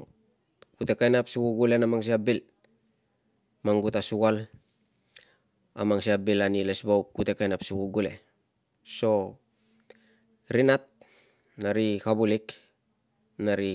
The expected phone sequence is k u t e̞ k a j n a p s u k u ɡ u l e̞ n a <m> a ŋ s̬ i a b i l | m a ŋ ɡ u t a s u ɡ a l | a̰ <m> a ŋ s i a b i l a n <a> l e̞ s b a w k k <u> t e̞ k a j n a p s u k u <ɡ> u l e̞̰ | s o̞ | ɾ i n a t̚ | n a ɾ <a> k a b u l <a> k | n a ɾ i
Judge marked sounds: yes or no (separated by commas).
yes, yes, no, yes, yes, no, no